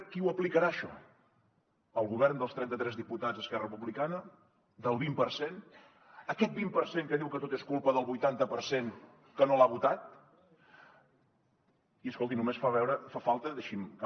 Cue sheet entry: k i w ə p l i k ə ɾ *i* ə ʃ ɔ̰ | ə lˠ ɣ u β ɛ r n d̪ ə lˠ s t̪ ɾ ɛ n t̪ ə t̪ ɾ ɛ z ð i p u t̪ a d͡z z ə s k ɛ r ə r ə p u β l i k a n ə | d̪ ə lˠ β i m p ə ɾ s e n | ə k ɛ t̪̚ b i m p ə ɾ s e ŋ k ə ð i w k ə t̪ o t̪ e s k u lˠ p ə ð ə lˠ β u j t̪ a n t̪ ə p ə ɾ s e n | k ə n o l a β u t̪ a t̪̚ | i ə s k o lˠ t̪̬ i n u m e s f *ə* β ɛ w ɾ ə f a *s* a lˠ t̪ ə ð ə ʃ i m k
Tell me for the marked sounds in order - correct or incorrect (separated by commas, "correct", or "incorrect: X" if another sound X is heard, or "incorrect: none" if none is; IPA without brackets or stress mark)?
incorrect: a, incorrect: a, incorrect: f